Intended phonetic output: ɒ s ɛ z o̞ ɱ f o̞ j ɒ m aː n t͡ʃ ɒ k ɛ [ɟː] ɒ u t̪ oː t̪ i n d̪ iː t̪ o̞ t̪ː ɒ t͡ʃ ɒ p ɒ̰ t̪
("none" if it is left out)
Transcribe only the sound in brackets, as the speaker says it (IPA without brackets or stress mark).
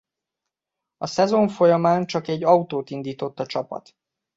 ɟː